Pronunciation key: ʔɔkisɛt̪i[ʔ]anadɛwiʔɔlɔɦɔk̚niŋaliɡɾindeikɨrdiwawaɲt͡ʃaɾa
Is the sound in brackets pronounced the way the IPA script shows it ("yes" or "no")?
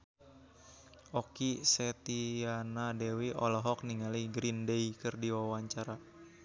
no